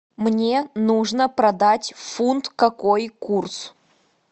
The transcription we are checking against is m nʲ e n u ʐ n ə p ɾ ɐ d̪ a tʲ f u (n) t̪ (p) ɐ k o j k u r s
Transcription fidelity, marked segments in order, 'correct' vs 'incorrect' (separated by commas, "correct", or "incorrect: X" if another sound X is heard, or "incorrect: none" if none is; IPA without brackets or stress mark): correct, incorrect: k